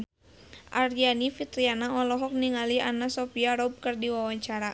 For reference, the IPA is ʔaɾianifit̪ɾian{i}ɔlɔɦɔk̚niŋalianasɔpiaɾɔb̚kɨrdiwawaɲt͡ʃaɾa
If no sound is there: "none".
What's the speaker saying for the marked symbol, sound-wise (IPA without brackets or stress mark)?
a